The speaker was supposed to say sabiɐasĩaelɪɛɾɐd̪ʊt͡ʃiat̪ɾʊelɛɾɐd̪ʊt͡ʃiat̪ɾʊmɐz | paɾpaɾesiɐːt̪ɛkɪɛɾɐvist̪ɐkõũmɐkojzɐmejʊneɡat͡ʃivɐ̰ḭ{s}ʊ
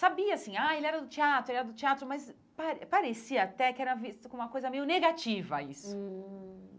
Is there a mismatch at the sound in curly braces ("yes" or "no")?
no